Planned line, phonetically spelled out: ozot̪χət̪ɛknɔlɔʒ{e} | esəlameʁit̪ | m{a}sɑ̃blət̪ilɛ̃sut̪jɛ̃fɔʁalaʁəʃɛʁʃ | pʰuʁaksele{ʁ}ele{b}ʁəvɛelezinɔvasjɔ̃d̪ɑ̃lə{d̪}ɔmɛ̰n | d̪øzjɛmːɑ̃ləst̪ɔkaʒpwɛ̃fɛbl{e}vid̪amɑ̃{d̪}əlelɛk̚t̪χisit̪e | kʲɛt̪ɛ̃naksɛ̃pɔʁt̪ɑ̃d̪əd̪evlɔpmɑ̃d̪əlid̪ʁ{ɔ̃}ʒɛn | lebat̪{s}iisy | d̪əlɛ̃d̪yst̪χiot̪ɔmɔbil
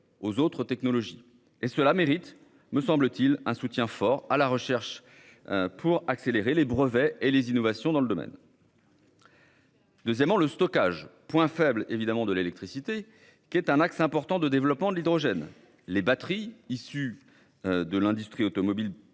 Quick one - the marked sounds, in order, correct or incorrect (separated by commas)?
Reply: incorrect, incorrect, correct, correct, correct, correct, correct, incorrect, incorrect